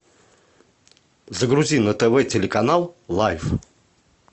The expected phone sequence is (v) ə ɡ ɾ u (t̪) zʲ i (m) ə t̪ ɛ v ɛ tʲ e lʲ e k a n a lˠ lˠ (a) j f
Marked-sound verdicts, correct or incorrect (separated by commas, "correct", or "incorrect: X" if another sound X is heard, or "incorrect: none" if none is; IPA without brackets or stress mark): incorrect: z, incorrect: none, incorrect: n, correct